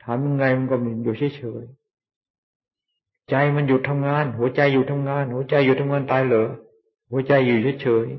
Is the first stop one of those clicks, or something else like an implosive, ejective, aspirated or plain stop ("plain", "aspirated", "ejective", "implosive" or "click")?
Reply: aspirated